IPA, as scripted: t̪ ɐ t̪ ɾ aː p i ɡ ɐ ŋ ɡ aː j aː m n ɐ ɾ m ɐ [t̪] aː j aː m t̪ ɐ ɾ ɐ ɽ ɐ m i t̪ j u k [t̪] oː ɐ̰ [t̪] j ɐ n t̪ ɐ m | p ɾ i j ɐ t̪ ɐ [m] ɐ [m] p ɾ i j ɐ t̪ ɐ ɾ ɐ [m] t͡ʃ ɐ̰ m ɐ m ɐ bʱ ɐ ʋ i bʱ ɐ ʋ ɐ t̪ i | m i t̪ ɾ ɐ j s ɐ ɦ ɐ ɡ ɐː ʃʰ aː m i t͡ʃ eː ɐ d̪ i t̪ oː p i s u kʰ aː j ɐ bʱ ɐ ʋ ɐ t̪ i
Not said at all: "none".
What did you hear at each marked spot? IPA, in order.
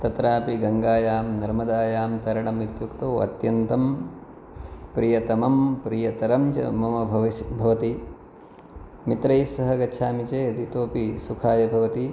d̪, t̪, t̪, m, m, m

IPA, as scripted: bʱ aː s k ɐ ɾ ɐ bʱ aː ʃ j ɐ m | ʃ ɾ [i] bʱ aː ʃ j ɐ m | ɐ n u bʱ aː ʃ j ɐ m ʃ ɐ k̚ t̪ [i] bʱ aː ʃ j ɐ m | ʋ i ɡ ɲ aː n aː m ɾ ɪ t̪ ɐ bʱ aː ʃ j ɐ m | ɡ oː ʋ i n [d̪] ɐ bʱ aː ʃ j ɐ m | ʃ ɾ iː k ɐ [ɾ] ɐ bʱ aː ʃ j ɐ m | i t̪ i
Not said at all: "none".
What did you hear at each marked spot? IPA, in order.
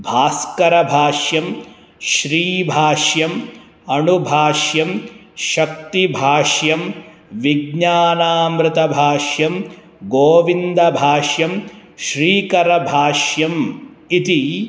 iː, i, d̪, ɾ

